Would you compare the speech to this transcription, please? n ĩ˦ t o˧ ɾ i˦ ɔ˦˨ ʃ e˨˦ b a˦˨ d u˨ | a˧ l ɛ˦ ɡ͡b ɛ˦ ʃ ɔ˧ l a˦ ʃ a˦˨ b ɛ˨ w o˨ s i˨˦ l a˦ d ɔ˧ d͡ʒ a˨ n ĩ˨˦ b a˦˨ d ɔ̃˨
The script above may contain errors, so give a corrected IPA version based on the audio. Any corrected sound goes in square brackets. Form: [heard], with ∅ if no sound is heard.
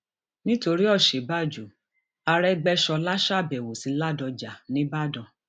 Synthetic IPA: n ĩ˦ t o˧ ɾ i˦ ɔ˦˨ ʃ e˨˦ b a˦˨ [d͡ʒ] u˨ | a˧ [ɾ] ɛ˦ ɡ͡b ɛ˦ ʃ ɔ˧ l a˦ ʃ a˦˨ b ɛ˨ w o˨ s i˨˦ l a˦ d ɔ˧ d͡ʒ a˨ n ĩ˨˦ b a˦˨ d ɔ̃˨